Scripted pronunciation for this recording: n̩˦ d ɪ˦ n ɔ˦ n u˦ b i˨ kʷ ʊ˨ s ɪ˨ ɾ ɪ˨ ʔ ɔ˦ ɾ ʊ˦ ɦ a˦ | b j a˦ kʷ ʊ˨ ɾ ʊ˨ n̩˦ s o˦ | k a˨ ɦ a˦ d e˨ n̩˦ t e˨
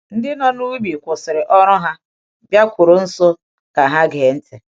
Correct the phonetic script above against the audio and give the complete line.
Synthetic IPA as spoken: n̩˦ d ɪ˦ n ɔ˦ n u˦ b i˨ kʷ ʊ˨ s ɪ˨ ɾ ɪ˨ ʔ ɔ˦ ɾ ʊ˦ ɦ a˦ | b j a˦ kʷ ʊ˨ ɾ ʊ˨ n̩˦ s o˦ | k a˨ ɦ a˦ ɡ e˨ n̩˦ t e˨